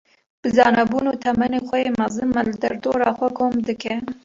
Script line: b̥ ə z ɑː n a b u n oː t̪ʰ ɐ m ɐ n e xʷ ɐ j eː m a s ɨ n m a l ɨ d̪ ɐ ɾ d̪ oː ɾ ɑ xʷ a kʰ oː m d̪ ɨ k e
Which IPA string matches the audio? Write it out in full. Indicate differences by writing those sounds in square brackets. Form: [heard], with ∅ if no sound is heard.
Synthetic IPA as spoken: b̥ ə z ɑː n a b u n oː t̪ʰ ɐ m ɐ n e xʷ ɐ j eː m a [z] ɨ n m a l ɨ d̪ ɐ ɾ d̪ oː ɾ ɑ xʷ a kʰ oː m d̪ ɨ k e

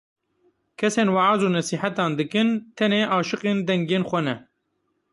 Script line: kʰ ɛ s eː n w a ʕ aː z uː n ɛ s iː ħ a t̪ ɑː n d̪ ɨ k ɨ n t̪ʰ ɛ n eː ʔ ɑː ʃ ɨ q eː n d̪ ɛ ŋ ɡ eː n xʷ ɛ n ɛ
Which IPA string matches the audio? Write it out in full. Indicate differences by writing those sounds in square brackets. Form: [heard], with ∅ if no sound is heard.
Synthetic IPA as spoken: kʰ ɛ s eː n w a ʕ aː z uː n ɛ s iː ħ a t̪ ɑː n d̪ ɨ k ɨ n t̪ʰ ɛ n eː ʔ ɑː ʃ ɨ q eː n d̪ ɛ ŋ ɡ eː n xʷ ɛ n ɛ

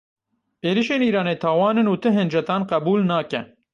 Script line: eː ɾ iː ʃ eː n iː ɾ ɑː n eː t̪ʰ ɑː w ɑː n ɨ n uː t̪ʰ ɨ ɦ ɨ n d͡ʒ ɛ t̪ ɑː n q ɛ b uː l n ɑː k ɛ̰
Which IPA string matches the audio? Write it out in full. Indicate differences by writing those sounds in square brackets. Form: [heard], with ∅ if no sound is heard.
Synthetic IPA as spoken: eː ɾ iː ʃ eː n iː ɾ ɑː n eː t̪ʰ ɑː w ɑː n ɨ n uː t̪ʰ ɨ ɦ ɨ n d͡ʒ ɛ t̪ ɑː n q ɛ b uː l n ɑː k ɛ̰

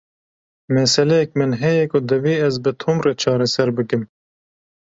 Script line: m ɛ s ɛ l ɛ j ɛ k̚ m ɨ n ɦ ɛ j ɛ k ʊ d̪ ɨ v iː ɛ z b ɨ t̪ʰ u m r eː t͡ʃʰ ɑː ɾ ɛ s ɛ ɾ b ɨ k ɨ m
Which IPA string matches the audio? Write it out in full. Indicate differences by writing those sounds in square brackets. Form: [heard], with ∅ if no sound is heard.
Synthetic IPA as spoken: m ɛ s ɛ l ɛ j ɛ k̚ m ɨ n ɦ ɛ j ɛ k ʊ d̪ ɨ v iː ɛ z b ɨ t̪ʰ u m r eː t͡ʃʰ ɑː ɾ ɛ s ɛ ɾ b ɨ k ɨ m

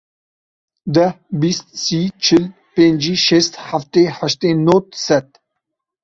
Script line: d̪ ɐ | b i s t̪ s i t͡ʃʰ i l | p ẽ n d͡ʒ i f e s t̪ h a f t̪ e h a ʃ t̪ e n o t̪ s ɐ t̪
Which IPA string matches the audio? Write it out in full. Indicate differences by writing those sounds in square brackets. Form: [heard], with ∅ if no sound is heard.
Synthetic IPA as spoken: d̪ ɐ | b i s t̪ s i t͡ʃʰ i l | p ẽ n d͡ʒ i [ʃ] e s t̪ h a f t̪ e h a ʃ t̪ e n o t̪ s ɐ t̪

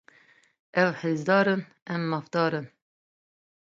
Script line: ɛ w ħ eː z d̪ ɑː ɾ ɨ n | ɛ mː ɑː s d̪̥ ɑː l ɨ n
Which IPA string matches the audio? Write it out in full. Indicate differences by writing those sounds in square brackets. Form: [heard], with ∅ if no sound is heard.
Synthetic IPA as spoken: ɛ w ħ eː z d̪ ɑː ɾ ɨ n | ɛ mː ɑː [f] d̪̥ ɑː [ɾ] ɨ n

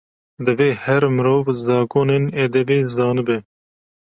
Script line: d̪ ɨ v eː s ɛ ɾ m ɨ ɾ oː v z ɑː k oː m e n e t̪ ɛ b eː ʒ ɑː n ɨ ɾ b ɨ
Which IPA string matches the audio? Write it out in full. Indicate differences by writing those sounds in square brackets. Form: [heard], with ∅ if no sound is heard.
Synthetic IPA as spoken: d̪ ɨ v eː [h] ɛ ɾ m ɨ ɾ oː v z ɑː k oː [n] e n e [d̪] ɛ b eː [z] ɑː n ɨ [∅] b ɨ

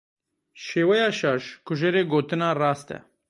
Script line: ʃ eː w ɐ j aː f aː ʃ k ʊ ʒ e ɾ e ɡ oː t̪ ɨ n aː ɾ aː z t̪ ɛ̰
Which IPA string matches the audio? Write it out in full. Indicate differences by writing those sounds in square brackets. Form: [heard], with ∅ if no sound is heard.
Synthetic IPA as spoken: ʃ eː w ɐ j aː [ʃ] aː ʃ k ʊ ʒ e ɾ e ɡ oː t̪ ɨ n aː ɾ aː [s] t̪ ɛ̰

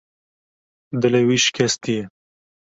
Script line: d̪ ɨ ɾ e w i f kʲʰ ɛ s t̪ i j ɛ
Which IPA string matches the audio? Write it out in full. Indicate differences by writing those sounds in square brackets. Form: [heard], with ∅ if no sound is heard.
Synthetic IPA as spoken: d̪ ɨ [l] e w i [ʃ] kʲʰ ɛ s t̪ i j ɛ

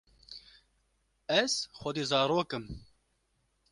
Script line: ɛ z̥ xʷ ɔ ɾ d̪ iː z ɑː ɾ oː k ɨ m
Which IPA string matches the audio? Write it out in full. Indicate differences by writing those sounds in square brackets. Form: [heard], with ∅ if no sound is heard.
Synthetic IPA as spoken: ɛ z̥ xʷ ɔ [∅] d̪ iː z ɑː ɾ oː k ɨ m

